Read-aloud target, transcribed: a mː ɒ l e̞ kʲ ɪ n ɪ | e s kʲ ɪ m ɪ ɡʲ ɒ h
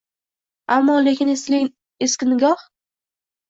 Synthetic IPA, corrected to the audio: a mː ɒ l e̞ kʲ ɪ n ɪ | e s kʲ ɪ n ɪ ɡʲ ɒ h